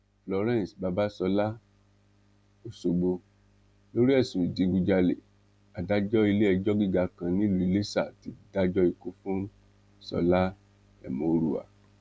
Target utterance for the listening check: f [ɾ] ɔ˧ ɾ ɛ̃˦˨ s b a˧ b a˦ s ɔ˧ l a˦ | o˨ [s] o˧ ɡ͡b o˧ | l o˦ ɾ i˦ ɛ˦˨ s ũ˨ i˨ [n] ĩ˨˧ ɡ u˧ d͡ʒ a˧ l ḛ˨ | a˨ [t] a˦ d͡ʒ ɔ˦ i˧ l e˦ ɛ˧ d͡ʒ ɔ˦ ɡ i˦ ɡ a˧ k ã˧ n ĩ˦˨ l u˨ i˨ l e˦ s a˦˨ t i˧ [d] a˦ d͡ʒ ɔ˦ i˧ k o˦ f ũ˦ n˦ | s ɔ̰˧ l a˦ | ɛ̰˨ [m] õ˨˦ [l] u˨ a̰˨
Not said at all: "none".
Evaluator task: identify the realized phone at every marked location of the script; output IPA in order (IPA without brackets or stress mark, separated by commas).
l, s, d, d, d, m, ɾ